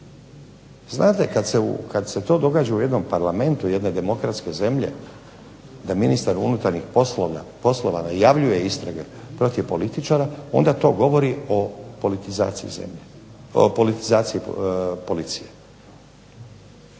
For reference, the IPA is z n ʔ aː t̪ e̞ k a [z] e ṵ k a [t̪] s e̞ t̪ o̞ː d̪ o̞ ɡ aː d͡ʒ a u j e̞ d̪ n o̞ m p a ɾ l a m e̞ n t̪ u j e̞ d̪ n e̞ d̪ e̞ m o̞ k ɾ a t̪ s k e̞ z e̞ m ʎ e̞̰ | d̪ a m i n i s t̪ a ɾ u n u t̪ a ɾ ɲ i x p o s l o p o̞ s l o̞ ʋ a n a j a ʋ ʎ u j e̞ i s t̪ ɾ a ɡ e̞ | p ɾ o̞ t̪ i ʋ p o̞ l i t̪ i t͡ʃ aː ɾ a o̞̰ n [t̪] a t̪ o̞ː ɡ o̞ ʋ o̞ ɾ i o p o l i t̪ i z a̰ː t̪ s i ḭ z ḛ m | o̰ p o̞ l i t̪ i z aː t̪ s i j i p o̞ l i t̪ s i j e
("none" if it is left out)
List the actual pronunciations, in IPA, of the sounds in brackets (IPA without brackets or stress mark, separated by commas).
s, d̪, d̪